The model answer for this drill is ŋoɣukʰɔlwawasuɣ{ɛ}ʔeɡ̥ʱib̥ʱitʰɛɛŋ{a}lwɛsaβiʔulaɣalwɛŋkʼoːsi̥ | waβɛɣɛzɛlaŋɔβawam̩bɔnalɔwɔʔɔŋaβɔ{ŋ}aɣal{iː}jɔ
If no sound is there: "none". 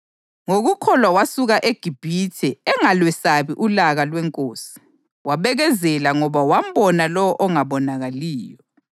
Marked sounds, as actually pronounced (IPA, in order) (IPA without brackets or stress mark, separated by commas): a, a, n, iː